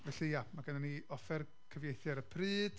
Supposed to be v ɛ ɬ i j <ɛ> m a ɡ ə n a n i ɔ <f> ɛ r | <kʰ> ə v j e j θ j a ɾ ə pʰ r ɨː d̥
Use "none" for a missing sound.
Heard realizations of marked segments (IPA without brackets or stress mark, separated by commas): a, f, kʰ